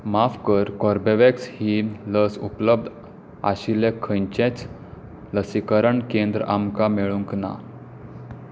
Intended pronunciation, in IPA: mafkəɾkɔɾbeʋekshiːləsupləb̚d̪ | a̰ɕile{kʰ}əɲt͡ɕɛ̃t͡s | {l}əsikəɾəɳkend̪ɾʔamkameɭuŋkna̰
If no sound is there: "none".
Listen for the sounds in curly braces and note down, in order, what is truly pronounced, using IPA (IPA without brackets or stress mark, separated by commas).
kʰ, l